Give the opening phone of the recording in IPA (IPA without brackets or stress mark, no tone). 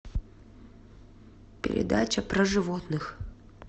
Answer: pʲ